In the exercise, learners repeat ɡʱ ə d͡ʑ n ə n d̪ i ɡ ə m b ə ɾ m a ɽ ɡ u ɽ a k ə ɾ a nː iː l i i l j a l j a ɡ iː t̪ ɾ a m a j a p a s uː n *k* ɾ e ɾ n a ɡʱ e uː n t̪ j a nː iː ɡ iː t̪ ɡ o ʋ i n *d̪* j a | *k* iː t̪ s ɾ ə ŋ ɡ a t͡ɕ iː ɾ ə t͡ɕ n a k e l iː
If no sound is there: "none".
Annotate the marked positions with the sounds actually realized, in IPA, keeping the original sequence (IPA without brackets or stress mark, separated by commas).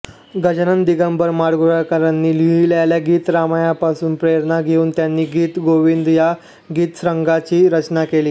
p, d̪, ɡ